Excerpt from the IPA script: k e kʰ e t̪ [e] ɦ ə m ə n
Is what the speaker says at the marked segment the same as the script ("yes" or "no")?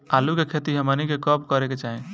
no